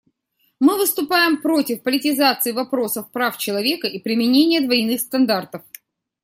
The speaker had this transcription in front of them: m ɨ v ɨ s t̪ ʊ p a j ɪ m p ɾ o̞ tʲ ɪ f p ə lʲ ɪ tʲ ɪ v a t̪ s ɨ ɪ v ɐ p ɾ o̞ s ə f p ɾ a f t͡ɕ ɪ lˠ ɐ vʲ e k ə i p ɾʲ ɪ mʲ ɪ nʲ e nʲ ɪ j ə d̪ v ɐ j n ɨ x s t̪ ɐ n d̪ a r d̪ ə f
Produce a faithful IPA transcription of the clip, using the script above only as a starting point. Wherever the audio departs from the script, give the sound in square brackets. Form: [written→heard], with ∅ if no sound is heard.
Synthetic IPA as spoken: m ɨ v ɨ s t̪ ʊ p a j ɪ m p ɾ o̞ tʲ ɪ f p ə lʲ ɪ tʲ ɪ [v→z] a t̪ s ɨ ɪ v ɐ p ɾ o̞ s ə f p ɾ a f t͡ɕ ɪ lˠ ɐ vʲ e k ə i p ɾʲ ɪ mʲ ɪ nʲ e nʲ ɪ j ə d̪ v ɐ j n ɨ x s t̪ ɐ n d̪ a r [d̪→t̪] ə f